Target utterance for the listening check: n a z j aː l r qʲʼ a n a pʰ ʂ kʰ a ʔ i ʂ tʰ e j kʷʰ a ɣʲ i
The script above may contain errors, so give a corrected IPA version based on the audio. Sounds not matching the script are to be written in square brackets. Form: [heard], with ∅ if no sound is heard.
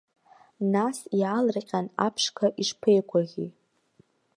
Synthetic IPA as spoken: n a [s] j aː l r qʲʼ a n a pʰ ʂ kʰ a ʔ i ʂ [pʰ] e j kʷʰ a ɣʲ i